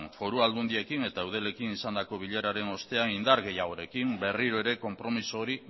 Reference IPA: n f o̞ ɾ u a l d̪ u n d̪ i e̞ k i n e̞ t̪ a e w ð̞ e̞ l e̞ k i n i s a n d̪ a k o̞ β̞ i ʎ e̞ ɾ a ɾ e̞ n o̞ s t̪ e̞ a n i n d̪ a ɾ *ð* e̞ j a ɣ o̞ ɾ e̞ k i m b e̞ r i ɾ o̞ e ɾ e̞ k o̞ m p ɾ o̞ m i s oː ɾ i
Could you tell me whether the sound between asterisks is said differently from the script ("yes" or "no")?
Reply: yes